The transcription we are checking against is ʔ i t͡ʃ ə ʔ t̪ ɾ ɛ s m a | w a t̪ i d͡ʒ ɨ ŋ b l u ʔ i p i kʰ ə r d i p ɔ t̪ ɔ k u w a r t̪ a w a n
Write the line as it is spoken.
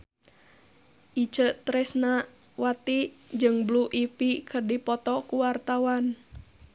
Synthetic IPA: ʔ i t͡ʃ ə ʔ t̪ ɾ ɛ s n a | w a t̪ i d͡ʒ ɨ ŋ b l u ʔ i p i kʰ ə r d i p ɔ t̪ ɔ k u w a r t̪ a w a n

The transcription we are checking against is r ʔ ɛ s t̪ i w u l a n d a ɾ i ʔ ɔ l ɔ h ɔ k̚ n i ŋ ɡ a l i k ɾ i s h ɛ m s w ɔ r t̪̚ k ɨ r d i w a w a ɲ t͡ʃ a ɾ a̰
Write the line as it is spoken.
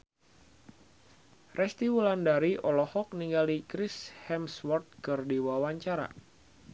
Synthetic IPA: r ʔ ɛ s t̪ i w u l a n d a ɾ i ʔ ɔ l ɔ h ɔ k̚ n i ŋ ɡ a l i k ɾ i s h ɛ m s w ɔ r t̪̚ k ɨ r d i w a w a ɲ t͡ʃ a ɾ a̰

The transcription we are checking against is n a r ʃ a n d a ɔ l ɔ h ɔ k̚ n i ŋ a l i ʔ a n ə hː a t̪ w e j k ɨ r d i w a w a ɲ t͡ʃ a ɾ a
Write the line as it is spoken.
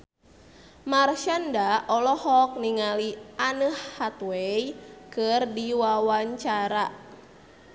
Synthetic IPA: m a r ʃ a n d a ɔ l ɔ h ɔ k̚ n i ŋ a l i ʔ a n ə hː a t̪ w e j k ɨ r d i w a w a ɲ t͡ʃ a ɾ a

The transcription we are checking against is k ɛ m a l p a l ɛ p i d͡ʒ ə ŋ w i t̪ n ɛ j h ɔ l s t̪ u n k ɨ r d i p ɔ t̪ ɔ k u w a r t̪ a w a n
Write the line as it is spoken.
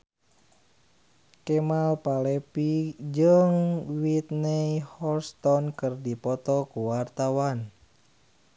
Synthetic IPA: k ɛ m a l p a l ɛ p i d͡ʒ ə ŋ w i t̪ n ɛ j h ɔ l s t̪ ɔ n k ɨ r d i p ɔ t̪ ɔ k u w a r t̪ a w a n

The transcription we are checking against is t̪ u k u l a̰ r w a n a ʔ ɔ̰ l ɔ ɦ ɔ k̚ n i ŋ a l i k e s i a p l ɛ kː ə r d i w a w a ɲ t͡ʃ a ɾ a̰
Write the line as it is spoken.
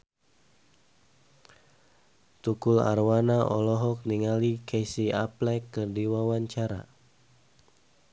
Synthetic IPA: t̪ u k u l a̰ r w a n a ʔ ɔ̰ l ɔ ɦ ɔ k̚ n i ŋ a l i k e s i a p l ɛ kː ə r d i w a w a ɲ t͡ʃ a ɾ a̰

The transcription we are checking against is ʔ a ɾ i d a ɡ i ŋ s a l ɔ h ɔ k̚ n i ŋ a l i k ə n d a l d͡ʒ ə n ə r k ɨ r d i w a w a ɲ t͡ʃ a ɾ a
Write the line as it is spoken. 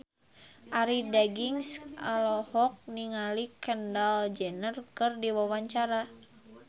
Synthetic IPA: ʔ a ɾ i d a ɡ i ŋ s a l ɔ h ɔ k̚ n i ŋ a l i k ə n d a l d͡ʒ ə n ə r k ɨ r d i w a w a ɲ t͡ʃ a ɾ a

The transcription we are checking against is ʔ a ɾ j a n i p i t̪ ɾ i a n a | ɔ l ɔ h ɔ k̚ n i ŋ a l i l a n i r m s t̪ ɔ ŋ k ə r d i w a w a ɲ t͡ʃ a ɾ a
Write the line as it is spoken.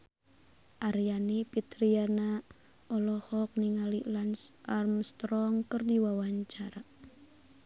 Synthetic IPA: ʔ a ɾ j a n i p i t̪ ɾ i a n a | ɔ l ɔ h ɔ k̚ n i ŋ a l i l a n a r m s t̪ ɔ ŋ k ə r d i w a w a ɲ t͡ʃ a ɾ a

